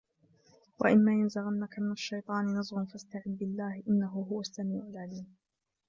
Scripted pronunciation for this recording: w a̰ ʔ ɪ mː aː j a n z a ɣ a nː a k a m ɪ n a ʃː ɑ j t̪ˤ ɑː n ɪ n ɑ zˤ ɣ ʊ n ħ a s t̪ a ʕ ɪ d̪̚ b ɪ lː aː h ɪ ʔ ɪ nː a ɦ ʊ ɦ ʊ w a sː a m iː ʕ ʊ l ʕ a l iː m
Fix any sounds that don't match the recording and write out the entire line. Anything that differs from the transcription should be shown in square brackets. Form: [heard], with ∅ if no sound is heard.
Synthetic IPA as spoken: w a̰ ʔ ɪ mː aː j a n z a ɣ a nː a k a m ɪ n a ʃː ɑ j t̪ˤ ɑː n ɪ n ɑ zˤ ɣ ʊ n [f] a s t̪ a ʕ ɪ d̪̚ b ɪ lː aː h ɪ ʔ ɪ nː a ɦ ʊ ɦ ʊ w a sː a m iː ʕ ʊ l ʕ a l iː m